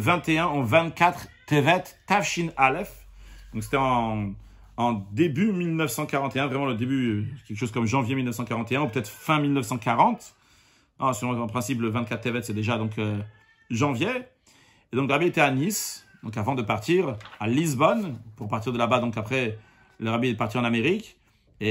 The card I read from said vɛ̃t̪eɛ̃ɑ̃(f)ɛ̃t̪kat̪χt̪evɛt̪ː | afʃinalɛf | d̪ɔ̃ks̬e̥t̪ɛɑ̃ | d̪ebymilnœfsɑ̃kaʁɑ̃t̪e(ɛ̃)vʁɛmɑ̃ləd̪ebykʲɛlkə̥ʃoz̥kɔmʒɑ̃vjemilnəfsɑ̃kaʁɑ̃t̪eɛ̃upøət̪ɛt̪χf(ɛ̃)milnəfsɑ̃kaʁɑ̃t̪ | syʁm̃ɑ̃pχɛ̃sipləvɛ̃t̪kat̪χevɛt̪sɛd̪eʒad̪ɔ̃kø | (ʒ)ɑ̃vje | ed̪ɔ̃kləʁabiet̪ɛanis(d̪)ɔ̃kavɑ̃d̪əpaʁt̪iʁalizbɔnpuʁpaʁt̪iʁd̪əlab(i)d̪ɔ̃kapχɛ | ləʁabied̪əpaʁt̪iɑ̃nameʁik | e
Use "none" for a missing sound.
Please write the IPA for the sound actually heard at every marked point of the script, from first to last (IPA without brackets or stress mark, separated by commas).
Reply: v, ɛ̃, ɛ̃, ʒ, d̪, a